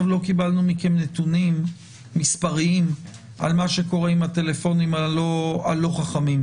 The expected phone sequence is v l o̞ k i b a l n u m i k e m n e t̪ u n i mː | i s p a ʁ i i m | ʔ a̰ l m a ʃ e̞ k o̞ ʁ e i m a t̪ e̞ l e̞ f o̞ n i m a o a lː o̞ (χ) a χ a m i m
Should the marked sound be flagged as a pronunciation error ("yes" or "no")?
no